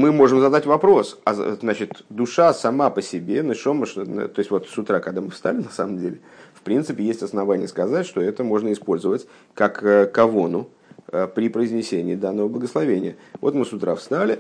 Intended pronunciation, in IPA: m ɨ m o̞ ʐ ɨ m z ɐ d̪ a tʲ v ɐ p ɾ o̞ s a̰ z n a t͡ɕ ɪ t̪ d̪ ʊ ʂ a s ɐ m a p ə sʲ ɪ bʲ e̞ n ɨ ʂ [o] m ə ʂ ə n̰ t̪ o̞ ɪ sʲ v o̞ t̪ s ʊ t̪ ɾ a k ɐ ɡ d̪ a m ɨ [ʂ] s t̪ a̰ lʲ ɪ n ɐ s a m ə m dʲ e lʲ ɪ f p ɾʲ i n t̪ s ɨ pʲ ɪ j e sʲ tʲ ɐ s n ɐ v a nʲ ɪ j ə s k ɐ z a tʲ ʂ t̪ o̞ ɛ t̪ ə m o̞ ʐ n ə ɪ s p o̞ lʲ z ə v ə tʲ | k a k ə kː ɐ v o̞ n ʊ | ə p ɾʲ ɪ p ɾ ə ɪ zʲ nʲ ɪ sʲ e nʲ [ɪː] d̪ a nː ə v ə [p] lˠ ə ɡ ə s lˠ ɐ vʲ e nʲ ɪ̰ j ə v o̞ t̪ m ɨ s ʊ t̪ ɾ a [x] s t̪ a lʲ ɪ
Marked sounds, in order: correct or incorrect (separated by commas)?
correct, incorrect, correct, incorrect, incorrect